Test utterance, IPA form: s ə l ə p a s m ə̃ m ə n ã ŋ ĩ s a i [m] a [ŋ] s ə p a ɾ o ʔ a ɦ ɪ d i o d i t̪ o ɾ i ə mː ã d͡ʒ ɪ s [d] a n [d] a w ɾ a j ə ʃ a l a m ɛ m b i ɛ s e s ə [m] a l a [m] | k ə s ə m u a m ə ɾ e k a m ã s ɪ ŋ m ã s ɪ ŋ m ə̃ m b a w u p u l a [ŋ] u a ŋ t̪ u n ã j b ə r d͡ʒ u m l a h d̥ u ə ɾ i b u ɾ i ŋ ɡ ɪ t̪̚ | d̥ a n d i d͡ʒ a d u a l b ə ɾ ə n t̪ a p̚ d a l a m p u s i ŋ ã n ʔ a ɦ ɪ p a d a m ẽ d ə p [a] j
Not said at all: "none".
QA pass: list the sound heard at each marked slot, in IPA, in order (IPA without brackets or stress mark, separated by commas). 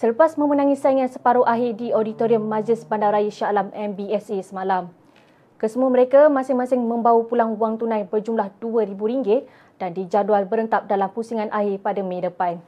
ŋ, n, b, d, m, m, ŋ, a